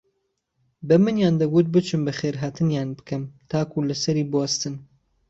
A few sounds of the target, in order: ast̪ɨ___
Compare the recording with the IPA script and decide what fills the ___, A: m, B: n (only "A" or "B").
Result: B